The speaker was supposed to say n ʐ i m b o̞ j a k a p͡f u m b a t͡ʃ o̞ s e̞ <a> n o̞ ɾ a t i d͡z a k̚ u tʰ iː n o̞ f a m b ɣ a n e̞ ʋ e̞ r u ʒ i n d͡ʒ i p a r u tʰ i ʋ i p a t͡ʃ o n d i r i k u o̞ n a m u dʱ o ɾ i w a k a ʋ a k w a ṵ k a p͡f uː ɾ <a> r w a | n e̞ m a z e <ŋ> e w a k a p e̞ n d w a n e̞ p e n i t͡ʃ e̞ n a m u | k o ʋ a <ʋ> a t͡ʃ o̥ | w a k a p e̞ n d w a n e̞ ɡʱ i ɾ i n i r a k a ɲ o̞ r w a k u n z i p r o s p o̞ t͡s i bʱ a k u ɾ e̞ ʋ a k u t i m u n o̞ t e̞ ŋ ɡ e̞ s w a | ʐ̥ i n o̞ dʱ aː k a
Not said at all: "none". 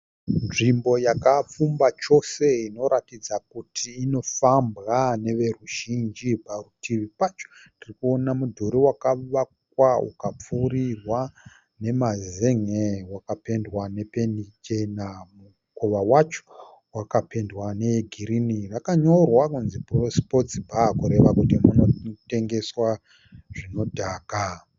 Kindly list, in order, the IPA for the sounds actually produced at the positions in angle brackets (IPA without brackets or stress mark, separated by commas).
i, i, ŋ, w